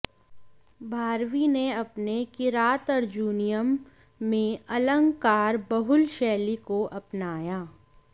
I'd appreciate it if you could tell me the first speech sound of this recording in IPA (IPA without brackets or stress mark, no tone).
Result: bʱ